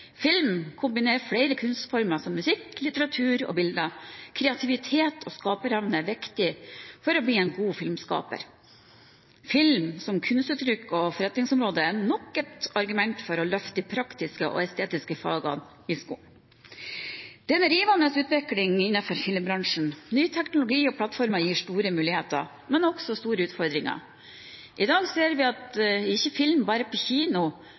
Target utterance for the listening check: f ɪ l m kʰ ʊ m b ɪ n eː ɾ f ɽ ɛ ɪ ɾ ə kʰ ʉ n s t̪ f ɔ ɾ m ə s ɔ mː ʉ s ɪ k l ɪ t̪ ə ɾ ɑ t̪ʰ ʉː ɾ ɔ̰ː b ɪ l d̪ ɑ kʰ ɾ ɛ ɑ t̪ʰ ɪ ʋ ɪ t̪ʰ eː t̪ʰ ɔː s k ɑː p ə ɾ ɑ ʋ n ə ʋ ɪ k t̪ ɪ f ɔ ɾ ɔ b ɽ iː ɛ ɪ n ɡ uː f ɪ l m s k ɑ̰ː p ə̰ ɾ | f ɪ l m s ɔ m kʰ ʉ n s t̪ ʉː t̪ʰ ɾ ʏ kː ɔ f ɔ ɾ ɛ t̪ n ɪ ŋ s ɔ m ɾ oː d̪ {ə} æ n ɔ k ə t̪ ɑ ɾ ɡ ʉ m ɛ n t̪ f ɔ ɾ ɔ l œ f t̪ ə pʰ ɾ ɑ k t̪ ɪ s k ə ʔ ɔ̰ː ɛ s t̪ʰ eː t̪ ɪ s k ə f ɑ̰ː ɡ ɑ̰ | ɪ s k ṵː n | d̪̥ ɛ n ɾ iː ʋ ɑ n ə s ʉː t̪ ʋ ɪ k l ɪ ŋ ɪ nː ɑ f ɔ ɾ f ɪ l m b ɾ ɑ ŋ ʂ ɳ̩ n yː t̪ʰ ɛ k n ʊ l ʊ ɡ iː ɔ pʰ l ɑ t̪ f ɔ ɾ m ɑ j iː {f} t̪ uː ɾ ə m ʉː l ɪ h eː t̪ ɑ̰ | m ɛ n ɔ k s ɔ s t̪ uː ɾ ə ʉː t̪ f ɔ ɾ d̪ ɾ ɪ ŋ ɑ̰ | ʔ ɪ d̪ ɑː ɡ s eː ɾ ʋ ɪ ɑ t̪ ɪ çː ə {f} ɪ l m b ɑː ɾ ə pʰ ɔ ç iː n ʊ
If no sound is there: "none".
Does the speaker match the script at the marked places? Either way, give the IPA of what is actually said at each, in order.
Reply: ə, ʂ, f

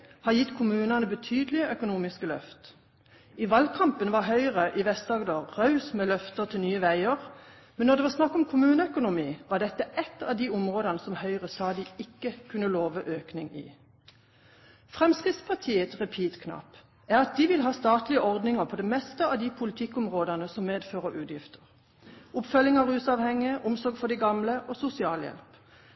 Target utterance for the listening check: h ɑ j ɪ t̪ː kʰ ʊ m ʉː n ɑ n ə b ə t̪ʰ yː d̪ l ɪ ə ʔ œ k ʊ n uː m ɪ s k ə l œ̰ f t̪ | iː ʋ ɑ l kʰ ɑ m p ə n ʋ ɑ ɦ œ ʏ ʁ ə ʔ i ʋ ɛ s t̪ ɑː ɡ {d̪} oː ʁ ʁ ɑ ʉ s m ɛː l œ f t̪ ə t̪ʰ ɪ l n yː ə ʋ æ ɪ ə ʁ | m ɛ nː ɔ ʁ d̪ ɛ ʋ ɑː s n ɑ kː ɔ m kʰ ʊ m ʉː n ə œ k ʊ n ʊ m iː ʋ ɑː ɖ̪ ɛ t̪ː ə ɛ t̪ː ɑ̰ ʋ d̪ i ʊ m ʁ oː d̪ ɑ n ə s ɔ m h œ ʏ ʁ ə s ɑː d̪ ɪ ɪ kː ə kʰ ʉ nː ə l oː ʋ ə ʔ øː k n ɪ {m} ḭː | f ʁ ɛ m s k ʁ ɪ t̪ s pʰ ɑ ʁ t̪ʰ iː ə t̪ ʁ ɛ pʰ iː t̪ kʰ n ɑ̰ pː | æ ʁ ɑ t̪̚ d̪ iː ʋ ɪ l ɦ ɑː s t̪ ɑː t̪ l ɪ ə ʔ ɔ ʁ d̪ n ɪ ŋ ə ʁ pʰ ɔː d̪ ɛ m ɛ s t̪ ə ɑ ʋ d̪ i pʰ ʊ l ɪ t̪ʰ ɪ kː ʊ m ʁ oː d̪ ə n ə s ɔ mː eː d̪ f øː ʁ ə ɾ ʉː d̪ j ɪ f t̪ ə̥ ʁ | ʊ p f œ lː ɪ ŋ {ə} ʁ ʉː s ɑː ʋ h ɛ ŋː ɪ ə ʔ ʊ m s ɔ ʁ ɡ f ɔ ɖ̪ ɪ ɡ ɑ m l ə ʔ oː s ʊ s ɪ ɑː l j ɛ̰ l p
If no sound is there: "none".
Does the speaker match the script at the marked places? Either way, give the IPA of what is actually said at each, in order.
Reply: d̪, ŋ, ɑ

